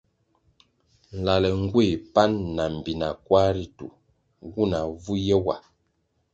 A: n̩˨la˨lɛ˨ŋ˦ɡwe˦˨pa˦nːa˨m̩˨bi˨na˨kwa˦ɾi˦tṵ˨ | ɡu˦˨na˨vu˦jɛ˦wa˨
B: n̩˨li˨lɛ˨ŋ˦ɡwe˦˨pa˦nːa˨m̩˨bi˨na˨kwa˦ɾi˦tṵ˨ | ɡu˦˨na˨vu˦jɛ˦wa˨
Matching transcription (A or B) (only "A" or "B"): A